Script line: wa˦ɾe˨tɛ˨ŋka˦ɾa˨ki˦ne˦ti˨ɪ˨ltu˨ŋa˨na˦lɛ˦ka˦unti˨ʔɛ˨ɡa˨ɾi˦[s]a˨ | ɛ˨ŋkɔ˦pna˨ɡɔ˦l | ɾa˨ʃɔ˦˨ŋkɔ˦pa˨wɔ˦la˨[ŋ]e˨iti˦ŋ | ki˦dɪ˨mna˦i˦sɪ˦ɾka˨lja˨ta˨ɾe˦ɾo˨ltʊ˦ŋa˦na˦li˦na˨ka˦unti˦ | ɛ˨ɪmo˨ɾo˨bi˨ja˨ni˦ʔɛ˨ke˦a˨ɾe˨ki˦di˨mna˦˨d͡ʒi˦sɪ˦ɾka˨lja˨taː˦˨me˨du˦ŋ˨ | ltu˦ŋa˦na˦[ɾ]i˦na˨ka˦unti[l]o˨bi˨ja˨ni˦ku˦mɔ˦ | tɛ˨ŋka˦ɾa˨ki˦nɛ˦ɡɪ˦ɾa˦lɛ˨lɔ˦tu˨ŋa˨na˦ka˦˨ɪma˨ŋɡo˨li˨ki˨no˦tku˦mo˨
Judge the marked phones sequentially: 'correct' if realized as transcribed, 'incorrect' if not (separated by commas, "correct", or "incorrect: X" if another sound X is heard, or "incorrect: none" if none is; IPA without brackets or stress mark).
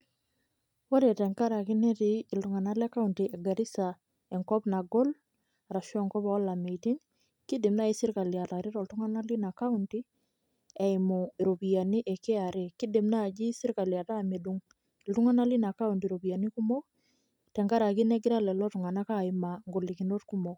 correct, incorrect: m, incorrect: l, incorrect: ɾ